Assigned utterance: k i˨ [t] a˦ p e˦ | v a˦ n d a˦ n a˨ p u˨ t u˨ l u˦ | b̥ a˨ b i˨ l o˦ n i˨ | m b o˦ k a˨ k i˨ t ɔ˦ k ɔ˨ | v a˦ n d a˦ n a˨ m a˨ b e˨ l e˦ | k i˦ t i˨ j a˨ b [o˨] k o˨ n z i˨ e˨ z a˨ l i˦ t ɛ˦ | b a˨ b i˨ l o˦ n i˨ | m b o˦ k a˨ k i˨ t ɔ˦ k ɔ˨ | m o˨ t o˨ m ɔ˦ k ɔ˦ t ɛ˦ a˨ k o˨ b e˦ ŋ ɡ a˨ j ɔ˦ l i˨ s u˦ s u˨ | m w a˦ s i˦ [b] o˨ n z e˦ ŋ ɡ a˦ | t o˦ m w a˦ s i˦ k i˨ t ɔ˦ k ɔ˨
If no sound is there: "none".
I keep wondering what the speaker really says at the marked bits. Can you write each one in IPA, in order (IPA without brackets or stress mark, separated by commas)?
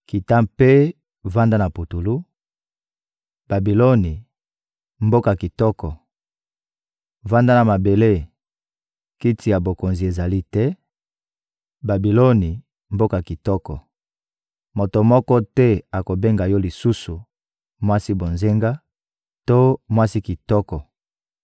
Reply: t, o˨, b